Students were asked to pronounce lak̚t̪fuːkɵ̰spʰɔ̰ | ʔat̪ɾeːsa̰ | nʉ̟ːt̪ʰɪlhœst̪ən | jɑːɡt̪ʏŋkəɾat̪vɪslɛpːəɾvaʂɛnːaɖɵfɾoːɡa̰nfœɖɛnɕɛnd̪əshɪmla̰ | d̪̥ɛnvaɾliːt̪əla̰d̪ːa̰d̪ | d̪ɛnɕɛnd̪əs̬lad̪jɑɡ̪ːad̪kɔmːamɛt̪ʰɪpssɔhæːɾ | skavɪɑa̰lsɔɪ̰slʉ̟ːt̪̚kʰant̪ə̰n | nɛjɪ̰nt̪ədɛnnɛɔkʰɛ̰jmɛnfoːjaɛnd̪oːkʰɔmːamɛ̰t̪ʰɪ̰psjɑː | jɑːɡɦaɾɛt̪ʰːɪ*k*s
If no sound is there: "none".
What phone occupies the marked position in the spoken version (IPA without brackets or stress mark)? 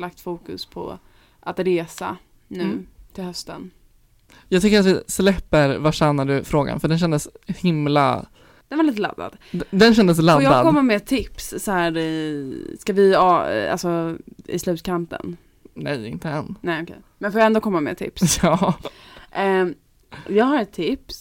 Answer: p